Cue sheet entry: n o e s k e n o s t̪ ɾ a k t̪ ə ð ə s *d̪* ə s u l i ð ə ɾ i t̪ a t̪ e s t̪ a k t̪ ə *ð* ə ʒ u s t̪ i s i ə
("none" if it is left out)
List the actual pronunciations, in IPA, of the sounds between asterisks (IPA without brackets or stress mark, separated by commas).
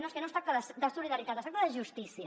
d̪, ð